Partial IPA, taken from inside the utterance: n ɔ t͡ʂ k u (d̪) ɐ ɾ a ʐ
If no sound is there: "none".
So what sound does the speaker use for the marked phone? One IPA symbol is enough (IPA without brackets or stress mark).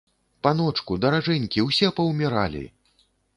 d̪